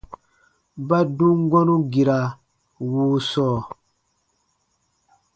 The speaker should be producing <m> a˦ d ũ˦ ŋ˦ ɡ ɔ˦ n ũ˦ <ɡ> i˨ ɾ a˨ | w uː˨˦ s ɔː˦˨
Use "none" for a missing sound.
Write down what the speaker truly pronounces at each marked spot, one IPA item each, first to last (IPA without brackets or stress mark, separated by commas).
b, ɡ